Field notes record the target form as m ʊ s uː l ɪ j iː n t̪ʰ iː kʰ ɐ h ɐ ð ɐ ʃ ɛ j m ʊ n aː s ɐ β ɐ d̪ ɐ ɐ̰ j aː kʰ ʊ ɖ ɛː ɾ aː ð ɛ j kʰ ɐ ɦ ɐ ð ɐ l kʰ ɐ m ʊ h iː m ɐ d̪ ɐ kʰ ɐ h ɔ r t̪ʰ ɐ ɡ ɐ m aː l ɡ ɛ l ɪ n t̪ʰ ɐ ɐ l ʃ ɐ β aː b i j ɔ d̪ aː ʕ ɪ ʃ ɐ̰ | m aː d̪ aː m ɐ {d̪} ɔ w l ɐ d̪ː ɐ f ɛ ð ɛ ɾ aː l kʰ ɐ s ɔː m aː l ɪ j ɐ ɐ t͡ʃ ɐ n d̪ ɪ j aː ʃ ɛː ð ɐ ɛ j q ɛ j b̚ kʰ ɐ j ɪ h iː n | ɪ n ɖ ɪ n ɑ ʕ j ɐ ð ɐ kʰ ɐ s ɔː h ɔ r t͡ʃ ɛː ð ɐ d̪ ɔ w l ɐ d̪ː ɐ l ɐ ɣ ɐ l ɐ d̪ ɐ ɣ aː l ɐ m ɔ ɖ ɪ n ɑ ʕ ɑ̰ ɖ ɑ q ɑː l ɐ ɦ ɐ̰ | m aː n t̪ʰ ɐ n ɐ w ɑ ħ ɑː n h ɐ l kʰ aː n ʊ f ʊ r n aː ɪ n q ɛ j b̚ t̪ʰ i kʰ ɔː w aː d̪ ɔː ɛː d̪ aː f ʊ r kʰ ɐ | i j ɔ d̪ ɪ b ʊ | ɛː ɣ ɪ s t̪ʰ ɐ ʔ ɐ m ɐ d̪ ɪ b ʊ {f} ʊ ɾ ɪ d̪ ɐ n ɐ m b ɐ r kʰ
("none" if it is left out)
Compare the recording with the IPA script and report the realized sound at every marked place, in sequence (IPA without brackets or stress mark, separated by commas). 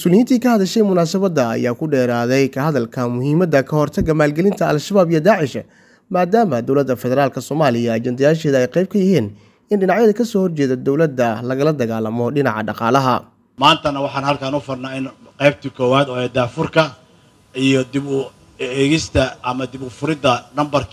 d̪, f